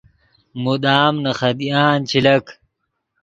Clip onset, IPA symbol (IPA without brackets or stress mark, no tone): m